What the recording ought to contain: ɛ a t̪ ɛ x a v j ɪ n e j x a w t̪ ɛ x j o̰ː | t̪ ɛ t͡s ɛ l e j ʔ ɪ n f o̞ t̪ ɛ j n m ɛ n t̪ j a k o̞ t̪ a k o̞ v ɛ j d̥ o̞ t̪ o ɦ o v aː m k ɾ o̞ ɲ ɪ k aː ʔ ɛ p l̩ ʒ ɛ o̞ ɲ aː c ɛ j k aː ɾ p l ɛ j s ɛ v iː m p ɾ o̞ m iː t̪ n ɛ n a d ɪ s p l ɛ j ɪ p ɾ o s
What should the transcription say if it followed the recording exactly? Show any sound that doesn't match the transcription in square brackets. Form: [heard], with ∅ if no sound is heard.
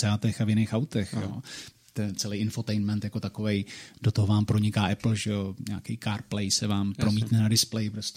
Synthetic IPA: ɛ a t̪ ɛ x a v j ɪ n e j x a w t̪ ɛ x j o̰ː | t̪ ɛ t͡s ɛ l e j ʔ ɪ n f o̞ t̪ ɛ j n m ɛ n t̪ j a k o̞ t̪ a k o̞ v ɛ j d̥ o̞ t̪ o ɦ o v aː m [p] ɾ o̞ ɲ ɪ k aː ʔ ɛ p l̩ ʒ ɛ o̞ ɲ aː [k] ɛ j k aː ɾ p l ɛ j s ɛ v [aː] m p ɾ o̞ m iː t̪ n ɛ n a d ɪ s p l ɛ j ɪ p ɾ o s